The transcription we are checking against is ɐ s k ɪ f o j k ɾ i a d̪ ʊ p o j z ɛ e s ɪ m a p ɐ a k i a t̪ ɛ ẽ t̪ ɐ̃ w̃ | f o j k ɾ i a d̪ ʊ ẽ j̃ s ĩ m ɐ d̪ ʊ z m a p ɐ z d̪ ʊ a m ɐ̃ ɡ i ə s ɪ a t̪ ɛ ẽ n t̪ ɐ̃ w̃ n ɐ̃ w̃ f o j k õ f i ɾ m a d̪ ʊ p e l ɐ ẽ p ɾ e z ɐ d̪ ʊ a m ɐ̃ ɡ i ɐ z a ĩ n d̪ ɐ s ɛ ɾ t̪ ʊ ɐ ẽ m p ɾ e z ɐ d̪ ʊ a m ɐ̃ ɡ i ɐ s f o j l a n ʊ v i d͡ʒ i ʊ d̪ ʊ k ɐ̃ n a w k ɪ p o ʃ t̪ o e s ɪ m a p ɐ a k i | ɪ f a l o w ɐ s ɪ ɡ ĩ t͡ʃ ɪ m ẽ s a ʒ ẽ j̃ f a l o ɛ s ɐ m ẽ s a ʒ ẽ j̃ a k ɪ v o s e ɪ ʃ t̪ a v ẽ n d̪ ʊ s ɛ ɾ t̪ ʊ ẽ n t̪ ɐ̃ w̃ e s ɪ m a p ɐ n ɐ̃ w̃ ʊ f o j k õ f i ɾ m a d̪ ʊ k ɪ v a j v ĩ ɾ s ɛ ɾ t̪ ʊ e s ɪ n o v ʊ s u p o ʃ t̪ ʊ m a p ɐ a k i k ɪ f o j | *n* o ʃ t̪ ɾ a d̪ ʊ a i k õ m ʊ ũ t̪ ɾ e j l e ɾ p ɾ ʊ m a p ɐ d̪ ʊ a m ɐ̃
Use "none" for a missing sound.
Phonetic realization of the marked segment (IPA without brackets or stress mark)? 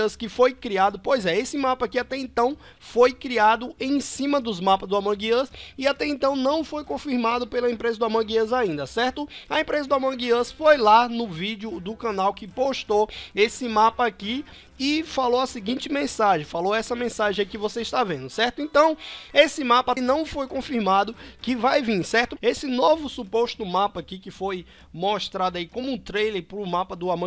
m